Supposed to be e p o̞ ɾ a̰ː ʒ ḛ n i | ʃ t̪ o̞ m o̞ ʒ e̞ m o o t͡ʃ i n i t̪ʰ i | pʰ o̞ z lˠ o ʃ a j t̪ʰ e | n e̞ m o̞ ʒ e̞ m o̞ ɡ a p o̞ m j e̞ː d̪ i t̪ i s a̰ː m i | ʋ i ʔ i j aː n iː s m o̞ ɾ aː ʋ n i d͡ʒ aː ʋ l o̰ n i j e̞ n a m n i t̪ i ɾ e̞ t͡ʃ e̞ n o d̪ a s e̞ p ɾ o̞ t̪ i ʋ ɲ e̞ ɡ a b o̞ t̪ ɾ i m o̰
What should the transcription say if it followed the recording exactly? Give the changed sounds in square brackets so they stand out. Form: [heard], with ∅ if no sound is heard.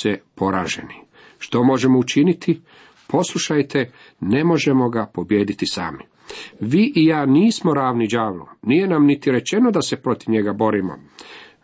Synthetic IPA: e p o̞ ɾ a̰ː ʒ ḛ n i | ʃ t̪ o̞ m o̞ ʒ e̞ m o [u] t͡ʃ i n i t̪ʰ i | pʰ o̞ [s] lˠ [u] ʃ a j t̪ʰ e | n e̞ m o̞ ʒ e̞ m o̞ ɡ a p o̞ [b] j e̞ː d̪ i t̪ i s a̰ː m i | ʋ i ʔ i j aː n iː s m o̞ ɾ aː ʋ n i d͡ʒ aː ʋ l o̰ n i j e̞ n a m n i t̪ i ɾ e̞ t͡ʃ e̞ n o d̪ a s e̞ p ɾ o̞ t̪ i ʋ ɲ e̞ ɡ a b o̞ [∅] ɾ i m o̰